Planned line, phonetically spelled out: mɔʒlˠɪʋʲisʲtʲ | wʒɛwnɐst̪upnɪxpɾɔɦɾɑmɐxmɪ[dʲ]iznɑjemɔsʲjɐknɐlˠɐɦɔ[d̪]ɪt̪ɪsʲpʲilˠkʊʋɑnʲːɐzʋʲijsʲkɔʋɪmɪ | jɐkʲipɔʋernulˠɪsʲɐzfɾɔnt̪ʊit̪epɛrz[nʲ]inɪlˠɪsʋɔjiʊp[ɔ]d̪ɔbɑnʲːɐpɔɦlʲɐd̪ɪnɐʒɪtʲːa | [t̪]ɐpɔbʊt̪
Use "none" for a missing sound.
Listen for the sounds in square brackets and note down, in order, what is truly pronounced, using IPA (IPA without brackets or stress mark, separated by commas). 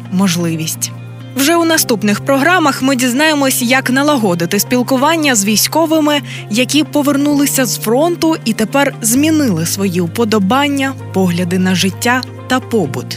dʲ, d̪, mʲ, ɔ, t̪